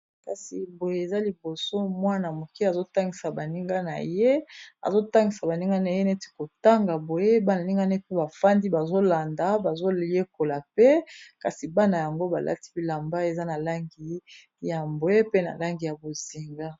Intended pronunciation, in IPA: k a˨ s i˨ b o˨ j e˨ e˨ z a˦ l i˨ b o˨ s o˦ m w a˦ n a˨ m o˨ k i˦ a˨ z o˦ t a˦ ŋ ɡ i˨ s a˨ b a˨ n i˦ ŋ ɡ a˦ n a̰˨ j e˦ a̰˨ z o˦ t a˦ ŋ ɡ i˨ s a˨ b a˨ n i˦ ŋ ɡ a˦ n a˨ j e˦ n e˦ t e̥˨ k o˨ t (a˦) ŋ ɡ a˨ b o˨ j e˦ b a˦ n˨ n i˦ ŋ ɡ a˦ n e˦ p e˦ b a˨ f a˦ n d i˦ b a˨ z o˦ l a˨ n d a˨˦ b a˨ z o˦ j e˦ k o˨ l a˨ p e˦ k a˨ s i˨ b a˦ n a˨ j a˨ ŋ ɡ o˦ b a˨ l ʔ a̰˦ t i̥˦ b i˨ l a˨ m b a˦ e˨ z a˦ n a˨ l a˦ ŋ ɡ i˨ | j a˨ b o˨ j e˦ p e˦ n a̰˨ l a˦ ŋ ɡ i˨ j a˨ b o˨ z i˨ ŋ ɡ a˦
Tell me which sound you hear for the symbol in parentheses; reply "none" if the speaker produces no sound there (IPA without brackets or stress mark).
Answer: a˦